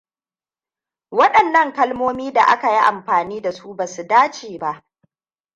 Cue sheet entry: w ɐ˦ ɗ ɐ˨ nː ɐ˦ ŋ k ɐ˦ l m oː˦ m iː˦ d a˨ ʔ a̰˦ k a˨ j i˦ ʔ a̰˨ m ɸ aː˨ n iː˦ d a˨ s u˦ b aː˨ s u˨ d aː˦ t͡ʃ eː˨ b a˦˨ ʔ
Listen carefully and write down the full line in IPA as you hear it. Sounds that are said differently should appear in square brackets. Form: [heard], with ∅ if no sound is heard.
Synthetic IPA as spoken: w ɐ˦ ɗ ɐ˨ nː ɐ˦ ŋ k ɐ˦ l m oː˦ m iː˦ d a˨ ʔ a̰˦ k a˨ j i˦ ʔ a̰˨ m ɸ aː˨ n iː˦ d a˨ s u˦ b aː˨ s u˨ d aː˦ t͡ʃ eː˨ b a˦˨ ʔ